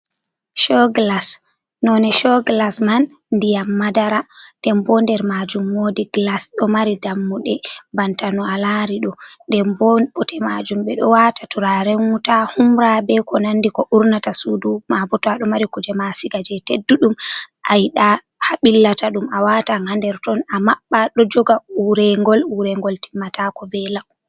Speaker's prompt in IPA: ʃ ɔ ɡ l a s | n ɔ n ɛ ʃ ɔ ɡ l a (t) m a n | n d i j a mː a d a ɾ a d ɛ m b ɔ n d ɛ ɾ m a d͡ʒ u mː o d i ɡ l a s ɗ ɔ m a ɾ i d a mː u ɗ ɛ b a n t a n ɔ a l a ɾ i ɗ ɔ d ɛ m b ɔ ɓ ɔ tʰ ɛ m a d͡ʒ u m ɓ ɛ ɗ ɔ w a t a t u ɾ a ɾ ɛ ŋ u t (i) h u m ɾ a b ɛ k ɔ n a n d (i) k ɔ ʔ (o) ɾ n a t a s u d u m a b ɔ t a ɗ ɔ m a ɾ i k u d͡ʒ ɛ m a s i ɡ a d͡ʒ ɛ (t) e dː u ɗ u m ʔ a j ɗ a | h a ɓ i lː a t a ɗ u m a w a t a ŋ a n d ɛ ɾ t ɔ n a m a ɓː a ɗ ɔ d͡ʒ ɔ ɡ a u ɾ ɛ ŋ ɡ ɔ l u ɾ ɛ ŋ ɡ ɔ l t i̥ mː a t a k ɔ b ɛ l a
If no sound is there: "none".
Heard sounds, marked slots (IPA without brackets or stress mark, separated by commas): s, a, i, u, t